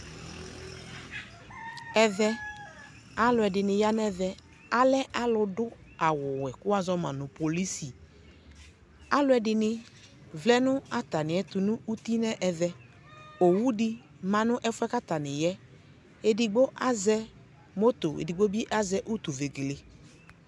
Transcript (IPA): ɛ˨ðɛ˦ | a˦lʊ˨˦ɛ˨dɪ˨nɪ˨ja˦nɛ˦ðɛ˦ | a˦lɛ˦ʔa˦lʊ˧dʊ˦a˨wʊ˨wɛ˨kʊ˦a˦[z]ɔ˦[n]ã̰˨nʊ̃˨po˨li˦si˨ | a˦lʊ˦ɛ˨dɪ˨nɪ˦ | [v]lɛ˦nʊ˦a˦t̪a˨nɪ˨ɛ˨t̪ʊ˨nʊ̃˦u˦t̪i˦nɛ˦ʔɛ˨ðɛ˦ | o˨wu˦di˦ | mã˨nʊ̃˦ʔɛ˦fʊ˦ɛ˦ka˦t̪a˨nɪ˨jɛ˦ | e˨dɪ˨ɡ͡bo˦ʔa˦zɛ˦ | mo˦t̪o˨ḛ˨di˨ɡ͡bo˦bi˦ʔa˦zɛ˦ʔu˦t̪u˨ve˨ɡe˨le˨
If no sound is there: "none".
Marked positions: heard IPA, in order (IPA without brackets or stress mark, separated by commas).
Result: z, m, v